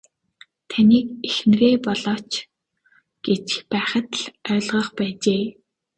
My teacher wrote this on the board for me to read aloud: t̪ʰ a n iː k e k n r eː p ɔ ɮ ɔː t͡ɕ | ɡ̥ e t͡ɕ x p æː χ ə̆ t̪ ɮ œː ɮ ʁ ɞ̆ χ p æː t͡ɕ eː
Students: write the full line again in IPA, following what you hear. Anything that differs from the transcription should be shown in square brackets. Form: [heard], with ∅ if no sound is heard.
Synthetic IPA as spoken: t̪ʰ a n iː k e [x] n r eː p ɔ ɮ ɔː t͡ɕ | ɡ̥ e t͡ɕ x p æː χ ə̆ t̪ ɮ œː ɮ ʁ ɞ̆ χ p æː t͡ɕ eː